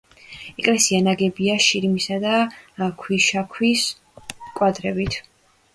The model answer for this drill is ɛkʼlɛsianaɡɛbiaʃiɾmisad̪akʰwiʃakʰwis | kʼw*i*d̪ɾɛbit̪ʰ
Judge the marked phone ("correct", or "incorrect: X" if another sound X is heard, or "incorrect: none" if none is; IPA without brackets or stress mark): incorrect: a